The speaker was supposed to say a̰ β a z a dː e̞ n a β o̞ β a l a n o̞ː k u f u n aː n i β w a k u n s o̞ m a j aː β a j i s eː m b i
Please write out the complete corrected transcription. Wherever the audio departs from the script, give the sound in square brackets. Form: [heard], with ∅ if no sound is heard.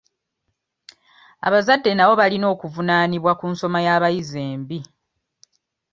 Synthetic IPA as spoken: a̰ β a z a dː e̞ n a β o̞ β a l [i] n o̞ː k u [v] u n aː n i β w a k u n s o̞ m a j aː β a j i [z] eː m b i